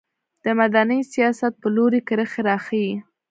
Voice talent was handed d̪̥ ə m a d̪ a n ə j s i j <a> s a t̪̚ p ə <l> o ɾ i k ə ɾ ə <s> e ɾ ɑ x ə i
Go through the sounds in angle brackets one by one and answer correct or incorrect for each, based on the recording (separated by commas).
incorrect, correct, incorrect